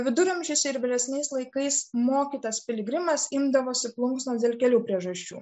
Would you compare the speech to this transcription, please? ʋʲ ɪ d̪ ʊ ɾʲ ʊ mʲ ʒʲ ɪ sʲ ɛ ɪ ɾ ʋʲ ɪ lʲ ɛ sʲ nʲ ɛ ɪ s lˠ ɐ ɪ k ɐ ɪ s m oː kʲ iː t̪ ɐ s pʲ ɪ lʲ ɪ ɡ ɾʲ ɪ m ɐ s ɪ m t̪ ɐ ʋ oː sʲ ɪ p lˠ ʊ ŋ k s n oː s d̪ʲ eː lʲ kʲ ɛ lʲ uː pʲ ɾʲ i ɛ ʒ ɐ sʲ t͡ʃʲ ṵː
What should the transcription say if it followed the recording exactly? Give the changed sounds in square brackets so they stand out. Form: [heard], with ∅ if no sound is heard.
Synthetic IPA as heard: ʋʲ ɪ d̪ ʊ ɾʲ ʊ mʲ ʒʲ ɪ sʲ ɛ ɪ ɾ ʋʲ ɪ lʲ ɛ sʲ nʲ ɛ ɪ s lˠ ɐ ɪ k ɐ ɪ s m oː kʲ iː t̪ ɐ s pʲ ɪ lʲ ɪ ɡ ɾʲ ɪ m ɐ s ɪ m [d̪] ɐ ʋ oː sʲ ɪ p lˠ ʊ ŋ k s n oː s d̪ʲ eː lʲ kʲ ɛ lʲ uː pʲ ɾʲ i ɛ ʒ ɐ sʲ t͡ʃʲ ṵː